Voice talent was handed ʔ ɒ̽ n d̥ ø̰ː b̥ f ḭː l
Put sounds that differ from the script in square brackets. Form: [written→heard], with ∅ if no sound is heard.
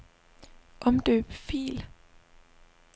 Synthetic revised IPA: ʔ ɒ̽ [n→m] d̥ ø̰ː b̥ f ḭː l